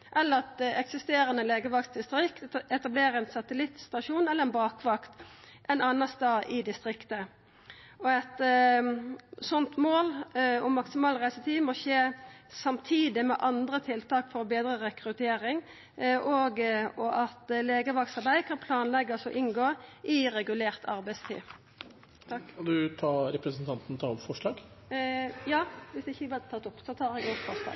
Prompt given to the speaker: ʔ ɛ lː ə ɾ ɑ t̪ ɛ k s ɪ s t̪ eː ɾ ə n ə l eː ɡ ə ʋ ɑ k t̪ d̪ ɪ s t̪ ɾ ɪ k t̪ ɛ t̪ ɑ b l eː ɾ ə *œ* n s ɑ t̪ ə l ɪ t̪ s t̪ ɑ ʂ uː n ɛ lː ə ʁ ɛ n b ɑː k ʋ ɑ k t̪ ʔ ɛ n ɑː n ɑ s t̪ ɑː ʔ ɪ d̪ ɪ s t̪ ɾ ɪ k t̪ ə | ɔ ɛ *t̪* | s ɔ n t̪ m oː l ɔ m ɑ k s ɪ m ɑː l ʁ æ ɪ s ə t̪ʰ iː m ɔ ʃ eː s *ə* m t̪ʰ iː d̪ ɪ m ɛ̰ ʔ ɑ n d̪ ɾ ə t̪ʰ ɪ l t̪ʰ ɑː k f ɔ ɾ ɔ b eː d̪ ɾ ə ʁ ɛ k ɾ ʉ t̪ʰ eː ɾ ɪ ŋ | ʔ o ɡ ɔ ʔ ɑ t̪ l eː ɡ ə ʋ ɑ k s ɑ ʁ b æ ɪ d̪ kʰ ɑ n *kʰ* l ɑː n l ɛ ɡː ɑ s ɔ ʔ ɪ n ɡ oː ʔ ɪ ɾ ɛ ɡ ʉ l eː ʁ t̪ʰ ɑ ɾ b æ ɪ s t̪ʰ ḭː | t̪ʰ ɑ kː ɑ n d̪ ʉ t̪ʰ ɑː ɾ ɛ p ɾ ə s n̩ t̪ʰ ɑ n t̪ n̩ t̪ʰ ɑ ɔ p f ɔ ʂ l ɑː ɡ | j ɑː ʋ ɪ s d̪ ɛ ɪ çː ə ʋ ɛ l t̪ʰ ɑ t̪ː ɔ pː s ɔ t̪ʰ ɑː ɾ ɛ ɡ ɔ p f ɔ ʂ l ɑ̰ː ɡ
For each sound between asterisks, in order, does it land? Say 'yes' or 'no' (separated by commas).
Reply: no, yes, no, no